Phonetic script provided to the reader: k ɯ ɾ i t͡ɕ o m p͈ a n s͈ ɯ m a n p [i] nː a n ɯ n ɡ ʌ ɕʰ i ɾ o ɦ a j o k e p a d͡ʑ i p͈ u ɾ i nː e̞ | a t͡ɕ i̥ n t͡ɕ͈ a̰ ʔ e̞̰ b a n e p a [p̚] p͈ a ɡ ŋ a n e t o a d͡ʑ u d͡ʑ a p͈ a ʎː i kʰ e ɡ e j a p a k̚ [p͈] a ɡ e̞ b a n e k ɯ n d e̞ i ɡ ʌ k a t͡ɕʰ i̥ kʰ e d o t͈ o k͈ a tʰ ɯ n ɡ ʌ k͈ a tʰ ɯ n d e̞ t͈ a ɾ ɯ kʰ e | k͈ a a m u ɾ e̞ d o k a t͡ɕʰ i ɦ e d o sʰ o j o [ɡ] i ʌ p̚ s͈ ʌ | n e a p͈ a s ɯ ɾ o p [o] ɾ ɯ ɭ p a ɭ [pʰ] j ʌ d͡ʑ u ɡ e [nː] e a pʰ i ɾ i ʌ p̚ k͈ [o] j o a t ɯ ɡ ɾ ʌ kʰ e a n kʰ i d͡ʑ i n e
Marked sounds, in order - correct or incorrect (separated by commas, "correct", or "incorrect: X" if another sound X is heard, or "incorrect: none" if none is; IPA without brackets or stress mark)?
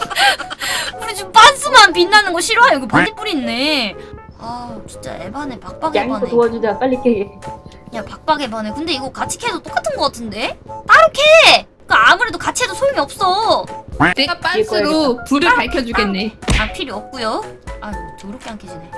correct, incorrect: k̚, correct, incorrect: ŋ, incorrect: u, incorrect: kʰ, correct, incorrect: u